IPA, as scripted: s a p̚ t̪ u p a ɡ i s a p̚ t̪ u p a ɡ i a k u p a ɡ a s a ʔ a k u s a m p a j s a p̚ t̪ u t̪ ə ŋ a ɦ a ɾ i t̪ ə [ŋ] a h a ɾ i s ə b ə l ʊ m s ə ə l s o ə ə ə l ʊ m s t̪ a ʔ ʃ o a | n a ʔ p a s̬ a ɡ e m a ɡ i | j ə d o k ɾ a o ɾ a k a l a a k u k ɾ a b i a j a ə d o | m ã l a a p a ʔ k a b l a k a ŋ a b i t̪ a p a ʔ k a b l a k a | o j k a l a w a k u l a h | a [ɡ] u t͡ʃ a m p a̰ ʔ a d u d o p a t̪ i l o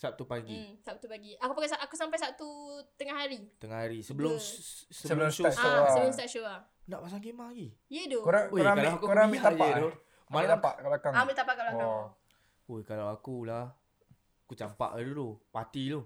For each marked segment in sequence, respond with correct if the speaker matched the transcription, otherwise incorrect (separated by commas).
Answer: correct, incorrect